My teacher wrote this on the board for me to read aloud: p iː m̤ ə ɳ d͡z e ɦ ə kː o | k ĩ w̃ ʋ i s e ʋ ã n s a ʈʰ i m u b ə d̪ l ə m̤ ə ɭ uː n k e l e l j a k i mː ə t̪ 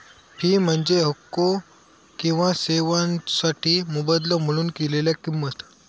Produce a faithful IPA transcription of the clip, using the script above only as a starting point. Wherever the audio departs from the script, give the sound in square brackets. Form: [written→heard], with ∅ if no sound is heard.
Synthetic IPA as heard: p iː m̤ ə ɳ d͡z e ɦ ə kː o | k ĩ w̃ ʋ [i→a] s e ʋ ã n s a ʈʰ [i→iː] m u b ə d̪ l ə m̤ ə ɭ uː n k e l e l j a k i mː ə t̪